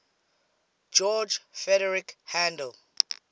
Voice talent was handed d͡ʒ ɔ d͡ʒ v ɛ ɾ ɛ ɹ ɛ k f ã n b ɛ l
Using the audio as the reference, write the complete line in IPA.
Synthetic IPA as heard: d͡ʒ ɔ d͡ʒ f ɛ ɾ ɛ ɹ i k h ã n d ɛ l